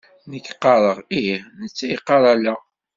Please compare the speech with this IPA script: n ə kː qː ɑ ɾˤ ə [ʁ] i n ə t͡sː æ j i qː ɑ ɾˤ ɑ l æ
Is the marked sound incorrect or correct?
correct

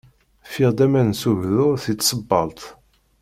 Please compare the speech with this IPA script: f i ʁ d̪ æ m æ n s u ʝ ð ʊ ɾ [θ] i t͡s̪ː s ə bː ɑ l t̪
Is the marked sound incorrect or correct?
correct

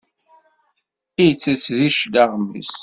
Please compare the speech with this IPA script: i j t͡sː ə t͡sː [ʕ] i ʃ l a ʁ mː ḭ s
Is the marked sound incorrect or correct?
incorrect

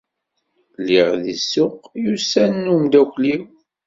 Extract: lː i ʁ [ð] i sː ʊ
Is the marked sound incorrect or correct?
correct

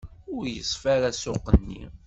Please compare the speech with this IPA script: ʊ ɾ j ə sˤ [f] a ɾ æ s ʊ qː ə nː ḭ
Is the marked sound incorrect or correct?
correct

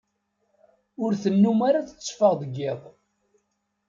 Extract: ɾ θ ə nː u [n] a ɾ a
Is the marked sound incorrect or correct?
incorrect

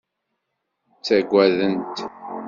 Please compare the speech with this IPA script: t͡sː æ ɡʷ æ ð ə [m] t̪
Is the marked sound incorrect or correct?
incorrect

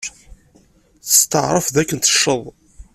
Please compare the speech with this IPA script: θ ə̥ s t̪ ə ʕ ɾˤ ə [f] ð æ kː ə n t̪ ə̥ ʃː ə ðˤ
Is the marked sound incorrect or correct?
correct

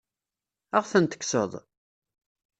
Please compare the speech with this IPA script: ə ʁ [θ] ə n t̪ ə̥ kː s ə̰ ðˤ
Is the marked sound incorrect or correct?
correct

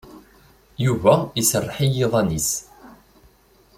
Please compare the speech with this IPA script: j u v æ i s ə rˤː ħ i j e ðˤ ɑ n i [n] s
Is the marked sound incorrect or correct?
incorrect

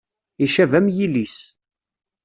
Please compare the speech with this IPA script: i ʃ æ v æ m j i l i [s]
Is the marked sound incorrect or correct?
correct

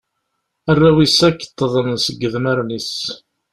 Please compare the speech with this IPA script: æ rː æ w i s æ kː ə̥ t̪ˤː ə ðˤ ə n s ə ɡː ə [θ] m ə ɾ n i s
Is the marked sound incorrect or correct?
incorrect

